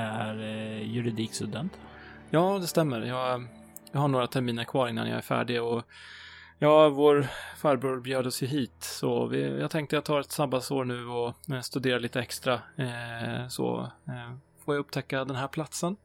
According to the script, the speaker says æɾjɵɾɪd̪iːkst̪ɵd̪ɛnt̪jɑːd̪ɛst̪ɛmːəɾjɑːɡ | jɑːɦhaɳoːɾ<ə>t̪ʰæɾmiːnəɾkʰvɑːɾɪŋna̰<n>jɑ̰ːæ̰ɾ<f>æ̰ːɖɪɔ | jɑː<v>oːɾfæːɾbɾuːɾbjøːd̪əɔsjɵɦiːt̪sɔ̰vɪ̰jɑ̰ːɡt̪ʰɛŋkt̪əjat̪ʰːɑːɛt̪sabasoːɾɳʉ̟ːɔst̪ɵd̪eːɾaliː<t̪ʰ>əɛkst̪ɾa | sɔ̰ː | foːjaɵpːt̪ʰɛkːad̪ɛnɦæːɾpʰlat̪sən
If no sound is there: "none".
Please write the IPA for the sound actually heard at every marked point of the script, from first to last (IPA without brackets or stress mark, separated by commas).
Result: a, n, f, v, t̪